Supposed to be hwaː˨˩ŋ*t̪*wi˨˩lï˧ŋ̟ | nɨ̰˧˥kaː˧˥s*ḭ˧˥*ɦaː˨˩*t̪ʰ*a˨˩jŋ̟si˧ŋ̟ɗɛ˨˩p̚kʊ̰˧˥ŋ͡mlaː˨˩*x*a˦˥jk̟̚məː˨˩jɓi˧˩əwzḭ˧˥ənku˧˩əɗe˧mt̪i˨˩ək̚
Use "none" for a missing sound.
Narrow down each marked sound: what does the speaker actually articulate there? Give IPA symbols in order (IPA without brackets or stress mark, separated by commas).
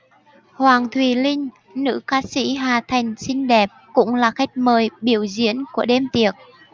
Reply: t̪ʰ, ḭ˧˥, t̪ʰ, x